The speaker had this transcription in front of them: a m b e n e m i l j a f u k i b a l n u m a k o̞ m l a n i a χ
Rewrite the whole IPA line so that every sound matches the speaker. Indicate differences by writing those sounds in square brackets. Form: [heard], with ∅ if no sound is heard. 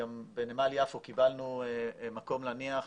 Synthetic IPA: a m b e n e m [a] l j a f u k i b a l n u m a k o̞ m l a n i a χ